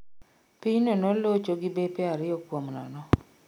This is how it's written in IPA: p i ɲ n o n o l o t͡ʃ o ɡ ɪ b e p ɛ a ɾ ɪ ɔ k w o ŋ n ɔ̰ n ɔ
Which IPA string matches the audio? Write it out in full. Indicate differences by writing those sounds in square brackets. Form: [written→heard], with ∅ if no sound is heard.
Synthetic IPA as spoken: p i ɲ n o n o l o t͡ʃ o ɡ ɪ b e p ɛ a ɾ ɪ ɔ k w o [ŋ→m] n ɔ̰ n ɔ